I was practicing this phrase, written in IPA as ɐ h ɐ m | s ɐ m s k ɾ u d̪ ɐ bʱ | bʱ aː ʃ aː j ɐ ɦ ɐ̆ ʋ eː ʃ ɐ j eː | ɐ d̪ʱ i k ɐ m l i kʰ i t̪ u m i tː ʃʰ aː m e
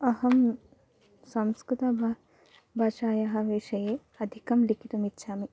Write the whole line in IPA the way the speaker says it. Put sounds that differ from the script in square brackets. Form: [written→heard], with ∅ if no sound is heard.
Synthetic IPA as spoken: ɐ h ɐ m | s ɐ m s k ɾ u [d̪→t̪] ɐ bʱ | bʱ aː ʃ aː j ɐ ɦ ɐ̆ ʋ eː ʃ ɐ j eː | ɐ d̪ʱ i k ɐ m l i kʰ i t̪ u m i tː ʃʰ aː m [e→i]